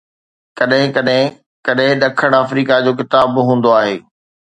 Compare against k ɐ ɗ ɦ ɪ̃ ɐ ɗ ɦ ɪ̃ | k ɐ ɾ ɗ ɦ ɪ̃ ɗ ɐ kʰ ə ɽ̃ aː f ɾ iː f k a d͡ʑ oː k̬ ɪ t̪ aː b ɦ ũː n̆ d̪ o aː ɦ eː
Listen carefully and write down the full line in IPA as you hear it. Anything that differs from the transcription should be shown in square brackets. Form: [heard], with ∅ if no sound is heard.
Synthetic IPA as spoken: k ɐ ɗ ɦ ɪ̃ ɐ ɗ ɦ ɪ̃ | k ɐ [∅] ɗ ɦ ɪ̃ ɗ ɐ kʰ ə ɽ̃ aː f ɾ iː [∅] k a d͡ʑ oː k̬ ɪ t̪ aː b ɦ ũː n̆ d̪ o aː ɦ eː